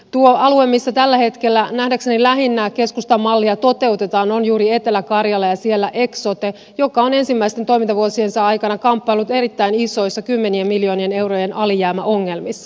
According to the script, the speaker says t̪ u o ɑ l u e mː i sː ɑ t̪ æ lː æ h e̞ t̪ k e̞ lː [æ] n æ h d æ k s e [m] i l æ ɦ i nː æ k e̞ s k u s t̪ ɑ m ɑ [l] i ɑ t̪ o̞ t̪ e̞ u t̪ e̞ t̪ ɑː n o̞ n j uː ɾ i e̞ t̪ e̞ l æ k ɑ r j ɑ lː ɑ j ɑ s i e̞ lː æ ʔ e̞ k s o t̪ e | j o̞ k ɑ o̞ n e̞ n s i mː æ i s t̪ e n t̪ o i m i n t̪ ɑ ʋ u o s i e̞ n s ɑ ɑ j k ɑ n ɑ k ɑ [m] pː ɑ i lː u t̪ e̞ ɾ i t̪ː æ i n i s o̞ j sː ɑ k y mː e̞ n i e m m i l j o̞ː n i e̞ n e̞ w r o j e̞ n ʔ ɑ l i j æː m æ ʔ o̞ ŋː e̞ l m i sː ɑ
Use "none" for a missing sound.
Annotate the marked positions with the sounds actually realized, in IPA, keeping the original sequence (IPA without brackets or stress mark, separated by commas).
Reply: æ, n, lː, m